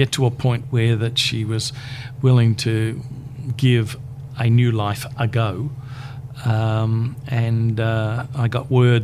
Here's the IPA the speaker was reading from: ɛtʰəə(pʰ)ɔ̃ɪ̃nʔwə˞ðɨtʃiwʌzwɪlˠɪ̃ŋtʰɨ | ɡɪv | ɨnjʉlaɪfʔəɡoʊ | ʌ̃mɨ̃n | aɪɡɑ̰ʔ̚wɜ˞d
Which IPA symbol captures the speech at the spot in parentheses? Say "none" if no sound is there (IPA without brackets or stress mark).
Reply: pʰ